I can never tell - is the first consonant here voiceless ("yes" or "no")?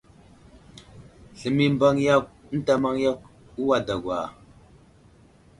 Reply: yes